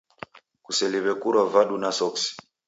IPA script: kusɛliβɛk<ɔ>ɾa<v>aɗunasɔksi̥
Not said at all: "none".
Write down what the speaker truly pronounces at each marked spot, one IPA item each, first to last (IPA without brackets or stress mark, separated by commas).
u, v